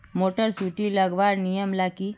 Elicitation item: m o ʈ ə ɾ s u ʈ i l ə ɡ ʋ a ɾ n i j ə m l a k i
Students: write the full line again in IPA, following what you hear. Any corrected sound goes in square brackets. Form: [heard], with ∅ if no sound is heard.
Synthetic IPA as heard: m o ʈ ə ɾ s u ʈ i l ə ɡ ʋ a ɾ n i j ə m l a k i

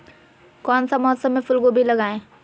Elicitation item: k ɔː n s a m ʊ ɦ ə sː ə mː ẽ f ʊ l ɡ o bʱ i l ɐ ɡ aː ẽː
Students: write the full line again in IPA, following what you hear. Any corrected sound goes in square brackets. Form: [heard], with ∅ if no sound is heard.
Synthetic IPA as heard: k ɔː n s a m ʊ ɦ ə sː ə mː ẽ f ʊ l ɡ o bʱ i l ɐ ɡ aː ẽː

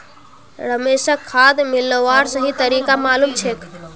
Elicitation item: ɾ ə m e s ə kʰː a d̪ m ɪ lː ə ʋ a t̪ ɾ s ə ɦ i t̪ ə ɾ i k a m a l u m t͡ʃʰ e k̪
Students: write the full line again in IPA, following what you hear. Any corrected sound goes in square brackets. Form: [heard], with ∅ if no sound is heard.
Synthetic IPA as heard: ɾ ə m e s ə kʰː a d̪ m [i] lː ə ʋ a [∅] ɾ s ə ɦ i t̪ ə ɾ i k a m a l u m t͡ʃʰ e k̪

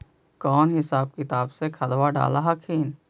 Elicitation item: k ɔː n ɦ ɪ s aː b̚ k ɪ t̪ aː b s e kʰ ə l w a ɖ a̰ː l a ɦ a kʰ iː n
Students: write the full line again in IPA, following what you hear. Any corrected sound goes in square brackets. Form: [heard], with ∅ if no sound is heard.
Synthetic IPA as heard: k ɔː n ɦ ɪ s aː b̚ k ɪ t̪ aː b s e kʰ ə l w a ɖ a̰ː l a ɦ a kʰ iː n

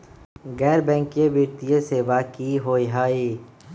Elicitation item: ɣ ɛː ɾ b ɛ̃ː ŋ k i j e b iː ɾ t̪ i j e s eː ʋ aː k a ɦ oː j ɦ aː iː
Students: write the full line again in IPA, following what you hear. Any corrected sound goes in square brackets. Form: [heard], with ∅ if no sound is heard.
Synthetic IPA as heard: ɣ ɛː ɾ b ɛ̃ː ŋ k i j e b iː ɾ t̪ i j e s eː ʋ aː k [i] ɦ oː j ɦ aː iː

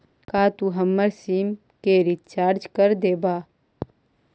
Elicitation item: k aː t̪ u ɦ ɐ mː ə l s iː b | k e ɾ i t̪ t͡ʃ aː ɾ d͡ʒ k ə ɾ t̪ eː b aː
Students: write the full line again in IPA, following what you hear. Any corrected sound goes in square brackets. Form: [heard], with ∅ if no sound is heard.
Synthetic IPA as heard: k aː t̪ u ɦ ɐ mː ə [ɾ] s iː [m] | k e ɾ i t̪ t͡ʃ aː ɾ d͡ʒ k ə ɾ [d̪] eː b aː

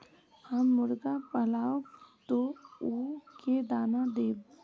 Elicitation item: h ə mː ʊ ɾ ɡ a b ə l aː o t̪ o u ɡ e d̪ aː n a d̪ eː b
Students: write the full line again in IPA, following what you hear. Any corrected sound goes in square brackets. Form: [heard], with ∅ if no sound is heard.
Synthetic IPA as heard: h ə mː ʊ ɾ ɡ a [p] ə l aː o t̪ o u [k] e d̪ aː n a d̪ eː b

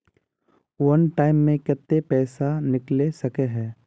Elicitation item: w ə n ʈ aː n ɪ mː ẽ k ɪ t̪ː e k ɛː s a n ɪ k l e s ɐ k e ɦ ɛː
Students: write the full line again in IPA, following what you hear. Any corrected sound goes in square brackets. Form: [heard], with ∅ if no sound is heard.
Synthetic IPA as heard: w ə n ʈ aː [∅] ɪ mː ẽ k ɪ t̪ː e [p] ɛː s a n ɪ k l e s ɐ k e ɦ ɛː

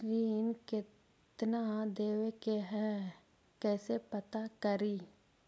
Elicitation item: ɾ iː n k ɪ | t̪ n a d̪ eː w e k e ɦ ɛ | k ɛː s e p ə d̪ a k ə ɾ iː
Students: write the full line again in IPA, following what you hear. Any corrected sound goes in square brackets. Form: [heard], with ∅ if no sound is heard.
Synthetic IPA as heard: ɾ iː n k ɪ | t̪ n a d̪ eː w e k e ɦ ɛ | k ɛː s e p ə [t̪] a k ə ɾ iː

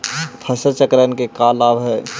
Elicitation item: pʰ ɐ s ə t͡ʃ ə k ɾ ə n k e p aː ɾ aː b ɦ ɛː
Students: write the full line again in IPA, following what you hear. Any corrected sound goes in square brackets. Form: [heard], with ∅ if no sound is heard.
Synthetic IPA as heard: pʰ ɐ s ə t͡ʃ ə k ɾ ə n k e [k] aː [l] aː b ɦ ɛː

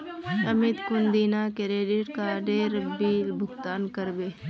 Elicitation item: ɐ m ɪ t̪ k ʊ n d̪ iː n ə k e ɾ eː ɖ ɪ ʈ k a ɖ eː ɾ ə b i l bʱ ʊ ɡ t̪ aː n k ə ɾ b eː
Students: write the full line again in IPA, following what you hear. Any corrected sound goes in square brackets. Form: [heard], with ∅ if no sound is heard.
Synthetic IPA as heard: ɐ m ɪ t̪ k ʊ n d̪ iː n [a] k e ɾ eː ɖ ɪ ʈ k a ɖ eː ɾ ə b i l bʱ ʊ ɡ t̪ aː n k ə ɾ b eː

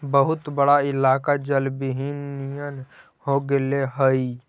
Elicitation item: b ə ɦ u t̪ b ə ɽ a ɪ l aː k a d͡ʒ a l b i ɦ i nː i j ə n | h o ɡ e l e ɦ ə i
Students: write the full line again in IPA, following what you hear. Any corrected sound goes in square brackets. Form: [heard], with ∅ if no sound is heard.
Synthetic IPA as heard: b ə ɦ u t̪ b ə ɽ a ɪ l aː k a d͡ʒ [ə] l b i ɦ i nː i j ə n | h o ɡ e l e ɦ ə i

